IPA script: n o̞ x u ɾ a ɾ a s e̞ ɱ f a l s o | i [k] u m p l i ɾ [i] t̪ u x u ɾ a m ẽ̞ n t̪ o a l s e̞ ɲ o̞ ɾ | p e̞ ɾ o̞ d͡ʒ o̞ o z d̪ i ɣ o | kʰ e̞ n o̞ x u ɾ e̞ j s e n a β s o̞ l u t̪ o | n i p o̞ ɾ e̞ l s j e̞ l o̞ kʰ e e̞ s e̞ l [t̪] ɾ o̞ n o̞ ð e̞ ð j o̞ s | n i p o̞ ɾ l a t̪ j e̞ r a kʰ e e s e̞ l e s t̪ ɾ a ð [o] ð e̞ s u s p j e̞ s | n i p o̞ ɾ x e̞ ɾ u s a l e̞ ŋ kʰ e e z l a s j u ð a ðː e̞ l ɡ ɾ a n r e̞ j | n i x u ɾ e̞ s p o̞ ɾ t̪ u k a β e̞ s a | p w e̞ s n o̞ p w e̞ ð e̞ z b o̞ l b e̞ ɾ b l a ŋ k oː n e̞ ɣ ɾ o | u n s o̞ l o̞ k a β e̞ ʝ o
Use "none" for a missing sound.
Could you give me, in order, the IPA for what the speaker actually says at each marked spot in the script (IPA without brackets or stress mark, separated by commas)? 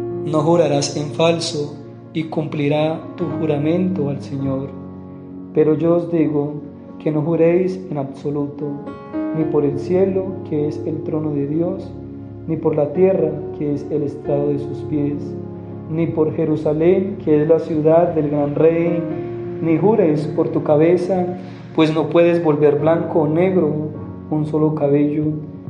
k, a, t̪, o